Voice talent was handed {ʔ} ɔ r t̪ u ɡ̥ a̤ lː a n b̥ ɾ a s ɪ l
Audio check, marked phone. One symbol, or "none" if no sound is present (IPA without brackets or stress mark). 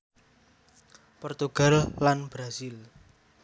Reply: p